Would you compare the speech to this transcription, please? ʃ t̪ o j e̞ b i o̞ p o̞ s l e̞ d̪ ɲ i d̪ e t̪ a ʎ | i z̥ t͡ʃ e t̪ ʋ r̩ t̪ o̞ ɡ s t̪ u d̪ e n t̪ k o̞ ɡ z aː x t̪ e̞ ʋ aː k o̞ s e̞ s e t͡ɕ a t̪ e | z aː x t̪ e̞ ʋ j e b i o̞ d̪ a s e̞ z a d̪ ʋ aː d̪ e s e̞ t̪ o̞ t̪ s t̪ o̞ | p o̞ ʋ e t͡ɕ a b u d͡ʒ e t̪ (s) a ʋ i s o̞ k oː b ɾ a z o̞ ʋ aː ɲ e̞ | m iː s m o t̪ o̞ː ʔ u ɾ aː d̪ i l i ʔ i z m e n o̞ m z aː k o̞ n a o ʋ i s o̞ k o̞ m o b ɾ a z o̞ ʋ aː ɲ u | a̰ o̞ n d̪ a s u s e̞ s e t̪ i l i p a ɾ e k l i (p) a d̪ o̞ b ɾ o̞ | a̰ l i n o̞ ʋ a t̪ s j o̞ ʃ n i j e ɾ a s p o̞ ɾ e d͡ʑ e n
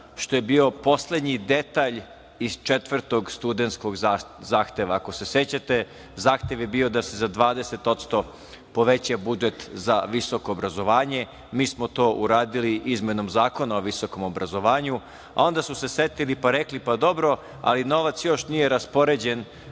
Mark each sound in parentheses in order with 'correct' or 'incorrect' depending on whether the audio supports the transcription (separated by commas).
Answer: incorrect, correct